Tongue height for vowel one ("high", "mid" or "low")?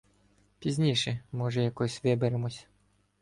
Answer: high